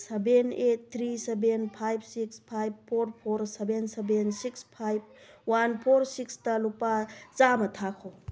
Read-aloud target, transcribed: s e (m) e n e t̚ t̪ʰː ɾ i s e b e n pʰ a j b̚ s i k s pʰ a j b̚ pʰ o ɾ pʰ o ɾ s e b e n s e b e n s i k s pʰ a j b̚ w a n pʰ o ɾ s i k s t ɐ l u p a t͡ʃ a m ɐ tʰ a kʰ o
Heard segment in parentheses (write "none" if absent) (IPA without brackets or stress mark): b